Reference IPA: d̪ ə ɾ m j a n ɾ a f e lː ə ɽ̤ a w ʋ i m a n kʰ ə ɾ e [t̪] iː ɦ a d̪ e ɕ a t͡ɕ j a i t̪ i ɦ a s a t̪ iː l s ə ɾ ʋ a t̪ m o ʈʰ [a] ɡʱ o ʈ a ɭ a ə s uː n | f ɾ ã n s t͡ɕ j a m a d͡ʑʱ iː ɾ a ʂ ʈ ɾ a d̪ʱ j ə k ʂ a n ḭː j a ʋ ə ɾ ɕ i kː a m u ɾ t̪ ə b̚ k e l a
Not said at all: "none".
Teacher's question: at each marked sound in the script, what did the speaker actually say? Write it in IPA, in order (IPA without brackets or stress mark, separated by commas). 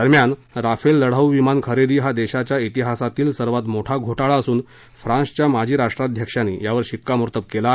d̪, a